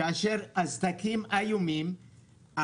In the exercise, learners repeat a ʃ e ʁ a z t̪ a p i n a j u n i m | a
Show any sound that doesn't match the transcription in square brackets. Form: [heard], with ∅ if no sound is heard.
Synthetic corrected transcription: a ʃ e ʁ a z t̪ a [k] i [m] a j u [m] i m | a